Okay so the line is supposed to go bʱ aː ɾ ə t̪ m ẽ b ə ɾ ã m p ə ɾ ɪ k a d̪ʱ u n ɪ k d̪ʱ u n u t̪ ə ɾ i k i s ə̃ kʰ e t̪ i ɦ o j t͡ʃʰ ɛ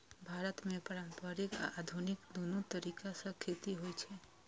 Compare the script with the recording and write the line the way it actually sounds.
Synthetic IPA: bʱ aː ɾ ə t̪ m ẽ p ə ɾ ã m p ə ɾ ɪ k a d̪ʱ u n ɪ k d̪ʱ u n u t̪ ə ɾ i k a s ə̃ kʰ e t̪ i ɦ o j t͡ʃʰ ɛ

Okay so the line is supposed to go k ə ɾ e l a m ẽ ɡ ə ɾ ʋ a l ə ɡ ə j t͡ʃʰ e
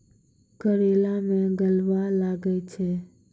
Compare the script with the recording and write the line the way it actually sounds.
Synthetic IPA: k ə ɾ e l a m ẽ ɡ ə l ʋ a l a ɡ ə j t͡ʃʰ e

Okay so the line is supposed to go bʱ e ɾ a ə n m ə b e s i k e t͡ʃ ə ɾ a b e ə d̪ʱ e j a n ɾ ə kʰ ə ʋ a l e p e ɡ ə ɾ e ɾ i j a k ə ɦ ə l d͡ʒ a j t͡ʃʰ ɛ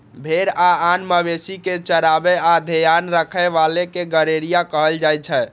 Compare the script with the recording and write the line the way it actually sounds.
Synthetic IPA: bʱ e ɾ a a n m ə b e s i k e t͡ʃ ə ɾ a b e a d̪ʱ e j a n ɾ ə kʰ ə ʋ a l e k e ɡ ə ɾ e ɾ i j a k ə ɦ ə l d͡ʒ a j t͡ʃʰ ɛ

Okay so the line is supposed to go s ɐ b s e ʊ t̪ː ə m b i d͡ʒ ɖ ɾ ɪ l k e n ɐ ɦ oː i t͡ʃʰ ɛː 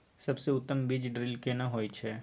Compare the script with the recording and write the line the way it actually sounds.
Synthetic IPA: s ɐ b s e ʊ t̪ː ə m b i d͡ʒ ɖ ɾ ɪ l k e n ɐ ɦ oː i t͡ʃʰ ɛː

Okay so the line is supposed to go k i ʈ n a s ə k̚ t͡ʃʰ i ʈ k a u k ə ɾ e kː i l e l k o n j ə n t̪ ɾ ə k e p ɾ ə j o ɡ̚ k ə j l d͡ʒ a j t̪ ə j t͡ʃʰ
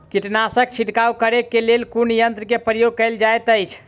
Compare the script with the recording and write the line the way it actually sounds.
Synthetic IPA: k i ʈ n a s ə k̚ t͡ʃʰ i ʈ k a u k ə ɾ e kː e l e l k u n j ə n t̪ ɾ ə k e p ɾ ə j o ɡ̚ k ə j l d͡ʒ a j t̪ ə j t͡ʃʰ

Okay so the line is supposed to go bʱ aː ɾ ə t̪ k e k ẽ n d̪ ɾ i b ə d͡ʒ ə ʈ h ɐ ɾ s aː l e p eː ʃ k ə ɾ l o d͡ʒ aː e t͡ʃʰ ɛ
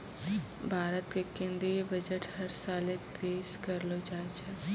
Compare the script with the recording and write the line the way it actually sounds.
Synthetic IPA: bʱ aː ɾ ə t̪ k e k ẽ n d̪ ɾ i b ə d͡ʒ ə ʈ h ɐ ɾ s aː l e p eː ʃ k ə ɾ l o d͡ʒ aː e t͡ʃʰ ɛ

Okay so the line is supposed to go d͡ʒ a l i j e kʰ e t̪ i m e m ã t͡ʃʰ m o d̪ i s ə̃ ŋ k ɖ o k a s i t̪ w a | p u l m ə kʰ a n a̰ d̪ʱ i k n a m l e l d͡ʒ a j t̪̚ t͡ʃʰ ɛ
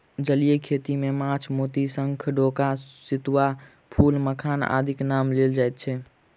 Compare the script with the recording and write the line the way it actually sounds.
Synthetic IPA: d͡ʒ ə l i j e kʰ e t̪ i m e m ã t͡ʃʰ m o t̪ i s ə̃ ŋ kʰ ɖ o k a s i t̪ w a | pʰ u l m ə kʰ a n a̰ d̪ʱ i k n a m l e l d͡ʒ a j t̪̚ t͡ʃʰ ɛ

